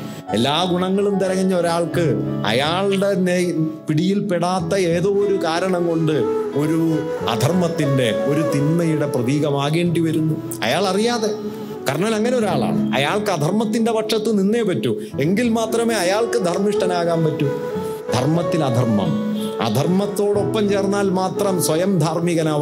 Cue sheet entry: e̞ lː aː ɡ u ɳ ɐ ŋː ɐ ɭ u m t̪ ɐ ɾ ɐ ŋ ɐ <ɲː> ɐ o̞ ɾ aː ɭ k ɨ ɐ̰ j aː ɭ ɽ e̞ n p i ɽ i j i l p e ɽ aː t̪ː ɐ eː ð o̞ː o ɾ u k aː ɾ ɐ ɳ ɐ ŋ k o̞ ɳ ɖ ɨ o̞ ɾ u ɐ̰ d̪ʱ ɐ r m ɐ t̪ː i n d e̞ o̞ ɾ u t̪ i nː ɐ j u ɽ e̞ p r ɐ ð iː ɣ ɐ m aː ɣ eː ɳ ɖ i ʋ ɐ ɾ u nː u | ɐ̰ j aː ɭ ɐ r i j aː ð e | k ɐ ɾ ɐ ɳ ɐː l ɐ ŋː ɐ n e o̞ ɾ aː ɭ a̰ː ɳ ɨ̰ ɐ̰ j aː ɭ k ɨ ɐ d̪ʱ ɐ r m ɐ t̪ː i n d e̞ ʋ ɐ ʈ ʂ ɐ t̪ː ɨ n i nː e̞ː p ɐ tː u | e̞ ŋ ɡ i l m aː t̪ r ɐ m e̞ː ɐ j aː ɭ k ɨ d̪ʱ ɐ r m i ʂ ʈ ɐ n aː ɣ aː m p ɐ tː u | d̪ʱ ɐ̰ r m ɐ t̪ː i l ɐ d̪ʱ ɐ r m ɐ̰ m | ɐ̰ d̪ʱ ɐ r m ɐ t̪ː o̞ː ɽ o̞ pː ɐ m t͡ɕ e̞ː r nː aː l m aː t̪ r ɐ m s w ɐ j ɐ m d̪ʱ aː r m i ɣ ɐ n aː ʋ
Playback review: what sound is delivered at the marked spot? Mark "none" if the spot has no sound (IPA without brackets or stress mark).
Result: ɲː